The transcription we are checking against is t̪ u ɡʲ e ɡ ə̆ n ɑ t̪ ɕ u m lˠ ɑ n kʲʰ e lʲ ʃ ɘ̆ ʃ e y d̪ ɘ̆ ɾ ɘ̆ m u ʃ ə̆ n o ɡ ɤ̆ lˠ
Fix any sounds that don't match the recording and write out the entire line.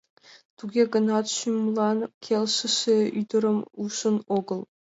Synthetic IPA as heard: t̪ u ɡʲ e ɡ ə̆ n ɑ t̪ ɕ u m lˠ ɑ n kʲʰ e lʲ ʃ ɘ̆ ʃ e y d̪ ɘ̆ ɾ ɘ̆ m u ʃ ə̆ n o ɡ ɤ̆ lˠ

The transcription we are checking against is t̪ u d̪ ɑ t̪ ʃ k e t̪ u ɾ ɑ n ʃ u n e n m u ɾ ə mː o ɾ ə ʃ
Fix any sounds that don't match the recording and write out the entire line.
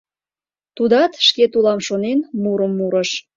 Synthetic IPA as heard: t̪ u d̪ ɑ t̪ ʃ k e t̪ u l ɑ m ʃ o n e n m u ɾ ə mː u ɾ ə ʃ

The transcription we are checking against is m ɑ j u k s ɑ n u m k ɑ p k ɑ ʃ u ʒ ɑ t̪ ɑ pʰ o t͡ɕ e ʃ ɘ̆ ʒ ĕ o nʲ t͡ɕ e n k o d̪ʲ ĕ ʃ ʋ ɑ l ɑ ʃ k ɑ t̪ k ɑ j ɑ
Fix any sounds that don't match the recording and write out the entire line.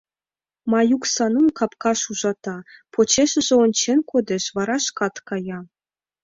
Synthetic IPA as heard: m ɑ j u k s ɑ n u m k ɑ p k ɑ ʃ u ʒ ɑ t̪ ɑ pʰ o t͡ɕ e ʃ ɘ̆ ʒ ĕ o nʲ t͡ɕ e n k o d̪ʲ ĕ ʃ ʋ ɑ ɾ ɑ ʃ k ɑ t̪ k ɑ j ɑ

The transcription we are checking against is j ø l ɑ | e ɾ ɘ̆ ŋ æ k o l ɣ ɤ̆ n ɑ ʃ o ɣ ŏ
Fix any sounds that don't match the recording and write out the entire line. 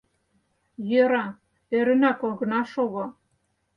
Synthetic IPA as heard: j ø ɾ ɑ | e ɾ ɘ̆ n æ k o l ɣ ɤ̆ n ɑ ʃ o ɣ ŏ

